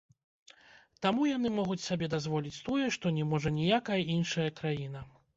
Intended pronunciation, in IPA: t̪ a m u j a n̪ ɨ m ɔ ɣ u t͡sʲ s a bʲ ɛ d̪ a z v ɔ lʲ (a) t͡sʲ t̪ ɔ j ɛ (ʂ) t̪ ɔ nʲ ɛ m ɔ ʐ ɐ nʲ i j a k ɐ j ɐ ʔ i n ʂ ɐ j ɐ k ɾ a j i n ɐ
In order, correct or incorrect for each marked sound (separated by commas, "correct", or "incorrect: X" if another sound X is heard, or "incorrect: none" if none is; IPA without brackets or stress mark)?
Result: incorrect: i, correct